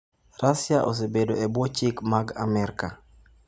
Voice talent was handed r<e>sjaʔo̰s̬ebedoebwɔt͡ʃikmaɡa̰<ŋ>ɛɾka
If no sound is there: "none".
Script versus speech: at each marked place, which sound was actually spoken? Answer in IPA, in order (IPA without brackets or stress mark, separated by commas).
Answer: a, m